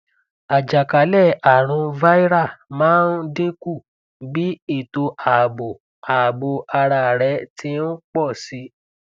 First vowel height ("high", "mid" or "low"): low